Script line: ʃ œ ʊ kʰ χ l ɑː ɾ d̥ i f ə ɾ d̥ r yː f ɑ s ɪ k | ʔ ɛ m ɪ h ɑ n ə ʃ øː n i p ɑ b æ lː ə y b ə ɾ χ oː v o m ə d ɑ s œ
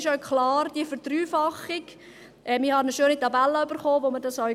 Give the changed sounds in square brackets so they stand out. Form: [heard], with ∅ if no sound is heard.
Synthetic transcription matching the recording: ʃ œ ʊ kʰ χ l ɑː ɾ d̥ i f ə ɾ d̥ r yː f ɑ [χ] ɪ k | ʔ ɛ m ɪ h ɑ n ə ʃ øː n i [t] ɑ b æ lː ə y b ə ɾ χ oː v o m ə d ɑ s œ